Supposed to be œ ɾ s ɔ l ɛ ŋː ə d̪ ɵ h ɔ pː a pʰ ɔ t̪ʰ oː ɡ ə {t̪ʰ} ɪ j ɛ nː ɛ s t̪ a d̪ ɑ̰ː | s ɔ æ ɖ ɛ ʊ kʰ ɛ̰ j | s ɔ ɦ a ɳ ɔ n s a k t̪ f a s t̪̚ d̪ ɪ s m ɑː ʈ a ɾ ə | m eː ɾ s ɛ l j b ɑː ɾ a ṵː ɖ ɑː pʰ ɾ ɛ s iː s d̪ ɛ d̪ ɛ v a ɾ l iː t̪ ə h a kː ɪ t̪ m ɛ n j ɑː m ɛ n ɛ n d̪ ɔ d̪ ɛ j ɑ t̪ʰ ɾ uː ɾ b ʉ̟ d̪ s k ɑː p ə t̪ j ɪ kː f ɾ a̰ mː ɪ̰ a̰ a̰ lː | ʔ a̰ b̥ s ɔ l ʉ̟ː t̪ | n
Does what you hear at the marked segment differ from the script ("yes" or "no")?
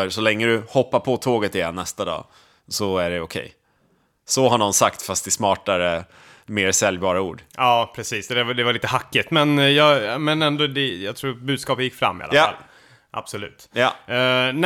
yes